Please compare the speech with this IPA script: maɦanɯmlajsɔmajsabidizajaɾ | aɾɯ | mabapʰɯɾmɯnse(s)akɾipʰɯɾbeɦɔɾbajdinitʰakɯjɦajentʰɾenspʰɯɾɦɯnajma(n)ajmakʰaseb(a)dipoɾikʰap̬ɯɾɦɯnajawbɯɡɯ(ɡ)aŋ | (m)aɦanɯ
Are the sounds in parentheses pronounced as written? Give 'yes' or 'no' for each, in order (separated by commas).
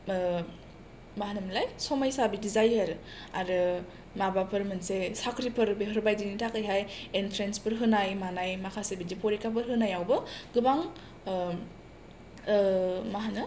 yes, yes, no, no, yes